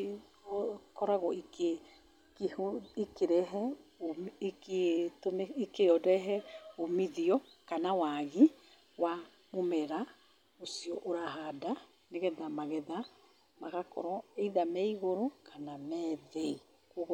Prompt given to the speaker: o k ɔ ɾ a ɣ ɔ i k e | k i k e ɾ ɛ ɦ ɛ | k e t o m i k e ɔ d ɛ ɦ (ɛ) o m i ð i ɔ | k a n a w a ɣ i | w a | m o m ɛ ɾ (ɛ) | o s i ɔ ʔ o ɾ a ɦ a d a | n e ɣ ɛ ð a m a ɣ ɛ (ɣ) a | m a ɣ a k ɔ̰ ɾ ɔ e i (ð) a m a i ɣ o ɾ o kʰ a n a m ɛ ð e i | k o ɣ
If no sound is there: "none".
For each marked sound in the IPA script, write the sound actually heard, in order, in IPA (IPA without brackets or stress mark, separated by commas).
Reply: ɛ, a, ð, ð